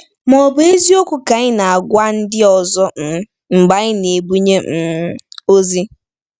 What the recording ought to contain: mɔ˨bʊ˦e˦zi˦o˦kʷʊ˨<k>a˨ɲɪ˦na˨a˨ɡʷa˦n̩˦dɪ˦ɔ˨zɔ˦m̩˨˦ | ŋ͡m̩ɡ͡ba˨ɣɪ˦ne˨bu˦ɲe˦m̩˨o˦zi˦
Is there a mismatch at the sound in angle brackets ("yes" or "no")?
no